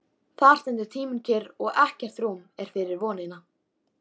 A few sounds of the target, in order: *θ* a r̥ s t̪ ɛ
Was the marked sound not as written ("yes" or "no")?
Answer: no